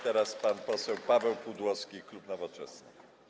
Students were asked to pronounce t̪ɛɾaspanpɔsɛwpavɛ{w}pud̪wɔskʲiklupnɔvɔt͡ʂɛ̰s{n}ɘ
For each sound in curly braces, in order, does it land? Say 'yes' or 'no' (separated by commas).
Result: yes, yes